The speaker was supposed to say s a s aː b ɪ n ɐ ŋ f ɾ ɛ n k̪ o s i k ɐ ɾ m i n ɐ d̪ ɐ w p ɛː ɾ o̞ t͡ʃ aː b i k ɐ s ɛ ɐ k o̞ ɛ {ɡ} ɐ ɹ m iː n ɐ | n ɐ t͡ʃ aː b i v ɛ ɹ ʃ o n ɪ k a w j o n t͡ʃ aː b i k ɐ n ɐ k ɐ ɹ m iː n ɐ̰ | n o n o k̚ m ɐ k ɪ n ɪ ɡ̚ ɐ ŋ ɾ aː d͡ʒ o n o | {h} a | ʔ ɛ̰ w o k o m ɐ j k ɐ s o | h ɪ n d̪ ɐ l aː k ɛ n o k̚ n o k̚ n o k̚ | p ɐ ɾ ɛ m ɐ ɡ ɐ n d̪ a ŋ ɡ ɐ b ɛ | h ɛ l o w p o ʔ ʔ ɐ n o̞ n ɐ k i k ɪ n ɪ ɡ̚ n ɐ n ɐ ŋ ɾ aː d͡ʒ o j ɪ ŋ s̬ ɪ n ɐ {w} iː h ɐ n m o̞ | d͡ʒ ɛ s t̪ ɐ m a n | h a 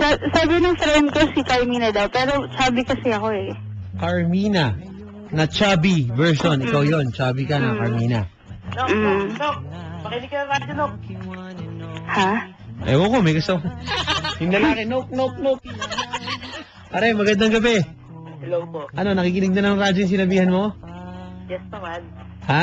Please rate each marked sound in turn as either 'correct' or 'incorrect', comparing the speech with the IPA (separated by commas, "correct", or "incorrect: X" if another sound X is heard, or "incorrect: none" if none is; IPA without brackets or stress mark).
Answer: incorrect: k, correct, incorrect: b